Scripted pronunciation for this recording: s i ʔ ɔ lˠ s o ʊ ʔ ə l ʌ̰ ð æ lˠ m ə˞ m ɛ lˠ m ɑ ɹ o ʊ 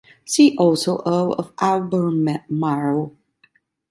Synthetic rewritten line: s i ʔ ɔ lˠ s o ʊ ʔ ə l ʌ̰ v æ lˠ b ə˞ m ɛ m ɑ ɹ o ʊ